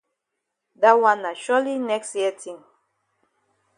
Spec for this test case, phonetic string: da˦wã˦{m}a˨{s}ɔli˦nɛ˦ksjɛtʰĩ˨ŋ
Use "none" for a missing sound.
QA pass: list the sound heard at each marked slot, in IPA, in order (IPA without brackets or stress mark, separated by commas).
n, ʃ